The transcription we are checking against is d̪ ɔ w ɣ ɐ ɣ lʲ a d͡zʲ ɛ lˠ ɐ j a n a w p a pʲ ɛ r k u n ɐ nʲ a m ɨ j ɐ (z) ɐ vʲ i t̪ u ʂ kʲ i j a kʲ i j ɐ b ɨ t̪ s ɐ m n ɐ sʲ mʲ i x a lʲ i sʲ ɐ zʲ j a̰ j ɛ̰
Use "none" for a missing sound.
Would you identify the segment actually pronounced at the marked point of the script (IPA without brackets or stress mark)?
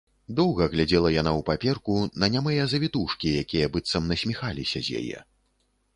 z